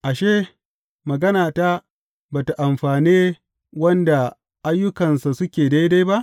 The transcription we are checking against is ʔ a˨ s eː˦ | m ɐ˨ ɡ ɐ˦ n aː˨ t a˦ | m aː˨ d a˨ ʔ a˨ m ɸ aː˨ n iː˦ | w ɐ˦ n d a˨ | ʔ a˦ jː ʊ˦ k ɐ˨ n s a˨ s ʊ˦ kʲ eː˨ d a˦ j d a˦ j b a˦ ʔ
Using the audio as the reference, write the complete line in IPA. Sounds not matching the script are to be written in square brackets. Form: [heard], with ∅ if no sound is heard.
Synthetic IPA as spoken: ʔ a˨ [ʃ] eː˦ | m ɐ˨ ɡ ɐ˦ n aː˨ t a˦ | [b] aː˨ [t] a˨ ʔ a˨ m ɸ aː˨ n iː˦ | w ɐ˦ n d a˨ | ʔ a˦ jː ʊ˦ k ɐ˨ n s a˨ s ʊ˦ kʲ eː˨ d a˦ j d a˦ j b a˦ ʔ